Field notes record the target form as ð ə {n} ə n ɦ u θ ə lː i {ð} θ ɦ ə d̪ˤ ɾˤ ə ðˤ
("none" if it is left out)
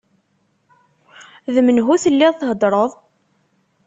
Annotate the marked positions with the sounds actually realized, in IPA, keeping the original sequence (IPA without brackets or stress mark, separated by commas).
m, ð